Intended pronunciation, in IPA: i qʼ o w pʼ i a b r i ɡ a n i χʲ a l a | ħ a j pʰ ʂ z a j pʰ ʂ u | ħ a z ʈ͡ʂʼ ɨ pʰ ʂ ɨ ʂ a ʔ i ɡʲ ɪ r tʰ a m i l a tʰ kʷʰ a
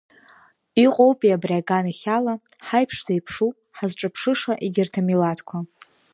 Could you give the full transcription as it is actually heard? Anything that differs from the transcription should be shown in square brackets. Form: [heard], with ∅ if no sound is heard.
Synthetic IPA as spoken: i qʼ o w pʼ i a b r [a] ɡ a n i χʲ a l a | ħ a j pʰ ʂ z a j pʰ ʂ u | ħ a z ʈ͡ʂʼ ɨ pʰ ʂ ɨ ʂ a ʔ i ɡʲ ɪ r tʰ a m i l a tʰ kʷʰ a